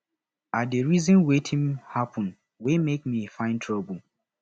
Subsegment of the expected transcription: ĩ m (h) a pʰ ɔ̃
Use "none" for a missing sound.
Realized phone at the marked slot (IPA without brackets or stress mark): h